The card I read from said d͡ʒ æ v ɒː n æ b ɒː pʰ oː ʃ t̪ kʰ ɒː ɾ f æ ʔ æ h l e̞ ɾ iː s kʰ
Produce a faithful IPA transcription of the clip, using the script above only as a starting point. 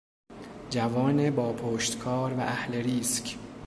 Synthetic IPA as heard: d͡ʒ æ v ɒː n e b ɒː pʰ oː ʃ t̪ kʰ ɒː ɾ v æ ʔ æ h l e̞ ɾ iː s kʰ

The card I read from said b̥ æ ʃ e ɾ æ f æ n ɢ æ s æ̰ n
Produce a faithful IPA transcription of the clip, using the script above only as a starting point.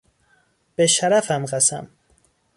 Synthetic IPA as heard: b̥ e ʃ æ ɾ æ f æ m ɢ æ s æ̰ m

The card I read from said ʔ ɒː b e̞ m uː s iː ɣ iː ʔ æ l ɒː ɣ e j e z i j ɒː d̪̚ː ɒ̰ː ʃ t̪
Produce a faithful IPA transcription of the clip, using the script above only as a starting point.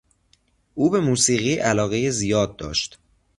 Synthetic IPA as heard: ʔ uː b e̞ m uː s iː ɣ iː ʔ æ l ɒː ɣ e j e z i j ɒː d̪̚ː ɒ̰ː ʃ t̪

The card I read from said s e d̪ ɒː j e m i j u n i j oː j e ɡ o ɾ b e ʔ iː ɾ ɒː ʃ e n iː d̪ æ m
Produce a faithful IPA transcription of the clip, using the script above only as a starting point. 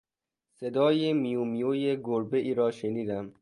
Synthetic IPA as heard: s e d̪ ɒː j e m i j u m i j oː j e ɡ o ɾ b e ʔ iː ɾ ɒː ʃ e n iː d̪ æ m

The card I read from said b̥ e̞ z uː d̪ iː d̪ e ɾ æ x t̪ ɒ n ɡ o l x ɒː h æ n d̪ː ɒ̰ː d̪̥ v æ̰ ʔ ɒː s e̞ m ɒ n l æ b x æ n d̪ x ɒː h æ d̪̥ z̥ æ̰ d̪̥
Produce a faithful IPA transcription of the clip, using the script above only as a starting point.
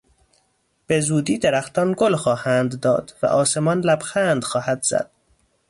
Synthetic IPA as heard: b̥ e̞ z uː d̪ iː d̪ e ɾ æ x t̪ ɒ n ɡ o l x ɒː h æ n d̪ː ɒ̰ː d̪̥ v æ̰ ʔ ɒː s e̞ m ɒ n l æ b x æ n d̪ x ɒː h æ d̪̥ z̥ æ̰ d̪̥

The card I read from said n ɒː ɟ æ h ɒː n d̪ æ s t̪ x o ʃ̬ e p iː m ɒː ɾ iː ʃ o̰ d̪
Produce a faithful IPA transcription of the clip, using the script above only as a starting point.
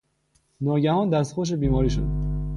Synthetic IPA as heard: n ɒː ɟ æ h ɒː n d̪ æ s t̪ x o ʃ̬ e b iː m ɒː ɾ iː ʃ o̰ d̪

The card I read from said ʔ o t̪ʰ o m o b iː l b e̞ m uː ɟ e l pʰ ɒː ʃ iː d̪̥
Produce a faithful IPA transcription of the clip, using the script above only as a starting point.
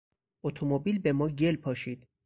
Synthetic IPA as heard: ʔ o t̪ʰ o m o b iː l b e̞ m ɒː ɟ e l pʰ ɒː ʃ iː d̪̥

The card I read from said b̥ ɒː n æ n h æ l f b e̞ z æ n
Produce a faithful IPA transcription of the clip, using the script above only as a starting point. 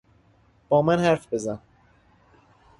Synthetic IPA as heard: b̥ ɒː m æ n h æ ɾ f b e̞ z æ n

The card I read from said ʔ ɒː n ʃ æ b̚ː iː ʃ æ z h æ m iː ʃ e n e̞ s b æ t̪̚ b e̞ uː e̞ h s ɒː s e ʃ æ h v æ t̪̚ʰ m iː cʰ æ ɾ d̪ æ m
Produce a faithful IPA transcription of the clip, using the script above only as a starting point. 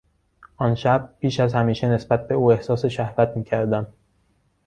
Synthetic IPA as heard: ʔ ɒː n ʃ æ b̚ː iː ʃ æ z h æ m iː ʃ e n e̞ s b æ t̪̚ b e̞ uː e̞ h s ɒː s e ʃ æ h v æ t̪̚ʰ m iː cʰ æ ɾ d̪ æ m

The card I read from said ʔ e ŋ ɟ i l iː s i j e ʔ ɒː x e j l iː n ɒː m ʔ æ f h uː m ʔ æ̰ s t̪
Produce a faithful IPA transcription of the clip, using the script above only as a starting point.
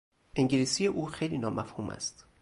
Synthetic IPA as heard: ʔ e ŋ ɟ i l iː s i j e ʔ uː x e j l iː n ɒː m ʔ æ f h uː m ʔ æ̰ s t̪

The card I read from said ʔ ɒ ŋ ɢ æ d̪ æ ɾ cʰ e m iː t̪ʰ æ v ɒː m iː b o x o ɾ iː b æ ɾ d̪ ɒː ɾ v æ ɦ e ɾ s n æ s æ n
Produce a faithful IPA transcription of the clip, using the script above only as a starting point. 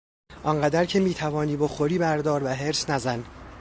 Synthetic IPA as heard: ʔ ɒ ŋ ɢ æ d̪ æ ɾ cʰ e m iː t̪ʰ æ v ɒː n iː b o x o ɾ iː b æ ɾ d̪ ɒː ɾ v æ ɦ e ɾ s n æ z æ n

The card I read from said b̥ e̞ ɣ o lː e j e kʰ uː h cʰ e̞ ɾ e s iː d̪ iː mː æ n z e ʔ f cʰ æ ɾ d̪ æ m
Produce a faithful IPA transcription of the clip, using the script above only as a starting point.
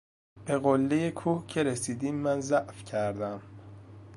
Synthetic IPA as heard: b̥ e̞ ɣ o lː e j e kʰ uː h cʰ e̞ ɾ e s iː d̪ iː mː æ n z æ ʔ f cʰ æ ɾ d̪ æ m

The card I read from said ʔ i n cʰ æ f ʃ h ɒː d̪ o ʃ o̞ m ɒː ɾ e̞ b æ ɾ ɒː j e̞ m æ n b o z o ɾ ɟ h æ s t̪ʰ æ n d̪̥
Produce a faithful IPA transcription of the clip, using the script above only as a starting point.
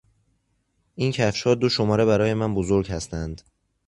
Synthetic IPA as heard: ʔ i n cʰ æ f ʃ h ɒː d̪ o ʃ o̞ m ɒː ɾ e̞ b æ ɾ ɒː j e̞ m æ n b o z o ɾ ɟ h æ s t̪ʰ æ n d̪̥

